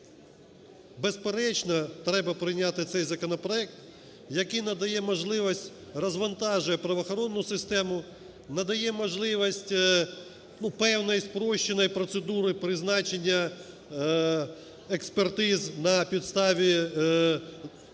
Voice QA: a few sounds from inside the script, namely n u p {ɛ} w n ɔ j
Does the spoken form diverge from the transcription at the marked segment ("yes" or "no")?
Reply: no